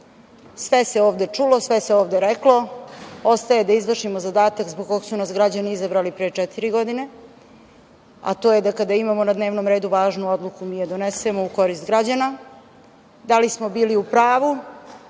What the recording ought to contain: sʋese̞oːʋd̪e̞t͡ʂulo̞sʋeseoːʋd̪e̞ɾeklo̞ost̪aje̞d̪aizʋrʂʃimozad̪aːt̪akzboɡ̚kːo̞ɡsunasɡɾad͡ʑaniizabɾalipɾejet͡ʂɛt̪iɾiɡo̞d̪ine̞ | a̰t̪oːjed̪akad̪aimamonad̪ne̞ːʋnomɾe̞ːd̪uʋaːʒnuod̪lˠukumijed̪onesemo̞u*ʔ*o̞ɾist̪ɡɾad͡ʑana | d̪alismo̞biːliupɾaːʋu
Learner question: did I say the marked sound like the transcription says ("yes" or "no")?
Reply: no